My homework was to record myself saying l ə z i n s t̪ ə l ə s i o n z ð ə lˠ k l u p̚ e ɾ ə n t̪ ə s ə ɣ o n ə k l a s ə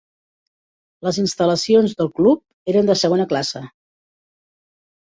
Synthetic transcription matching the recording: l ə z i n s t̪ ə l ə s i o n z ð ə lˠ k l u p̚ e ɾ ə n d̪ ə s ə ɣ o n ə k l a s ə